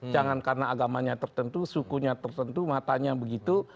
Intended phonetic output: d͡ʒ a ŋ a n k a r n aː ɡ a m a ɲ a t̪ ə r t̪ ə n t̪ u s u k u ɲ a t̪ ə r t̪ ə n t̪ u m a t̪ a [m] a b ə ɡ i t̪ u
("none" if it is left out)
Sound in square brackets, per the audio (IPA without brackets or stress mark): ɲ